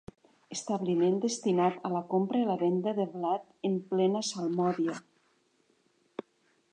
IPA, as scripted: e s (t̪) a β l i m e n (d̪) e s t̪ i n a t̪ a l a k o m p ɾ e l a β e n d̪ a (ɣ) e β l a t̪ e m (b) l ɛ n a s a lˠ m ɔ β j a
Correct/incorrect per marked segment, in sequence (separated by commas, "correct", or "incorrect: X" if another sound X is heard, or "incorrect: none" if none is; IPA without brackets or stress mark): correct, correct, incorrect: ð, incorrect: p